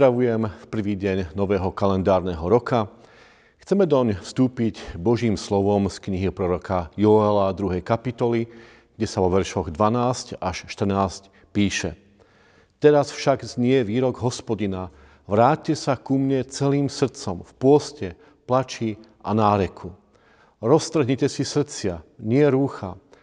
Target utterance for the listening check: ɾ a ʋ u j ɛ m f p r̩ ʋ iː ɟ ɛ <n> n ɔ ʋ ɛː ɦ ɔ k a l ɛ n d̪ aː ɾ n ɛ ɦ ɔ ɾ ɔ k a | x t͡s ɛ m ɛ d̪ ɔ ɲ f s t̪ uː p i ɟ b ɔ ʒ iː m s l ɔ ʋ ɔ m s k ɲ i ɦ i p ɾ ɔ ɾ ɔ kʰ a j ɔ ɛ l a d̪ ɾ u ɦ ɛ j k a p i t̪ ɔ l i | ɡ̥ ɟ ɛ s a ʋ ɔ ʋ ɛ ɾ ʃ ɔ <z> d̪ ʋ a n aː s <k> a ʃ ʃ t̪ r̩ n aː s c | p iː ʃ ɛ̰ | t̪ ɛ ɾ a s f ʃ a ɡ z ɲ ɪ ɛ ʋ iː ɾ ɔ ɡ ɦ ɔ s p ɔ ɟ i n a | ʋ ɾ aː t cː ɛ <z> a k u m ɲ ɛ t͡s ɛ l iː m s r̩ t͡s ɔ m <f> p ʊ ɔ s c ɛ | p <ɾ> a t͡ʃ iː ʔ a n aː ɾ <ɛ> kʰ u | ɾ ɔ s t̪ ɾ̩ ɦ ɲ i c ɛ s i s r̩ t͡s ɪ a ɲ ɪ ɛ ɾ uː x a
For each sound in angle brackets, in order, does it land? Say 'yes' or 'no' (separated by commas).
no, no, no, no, yes, no, yes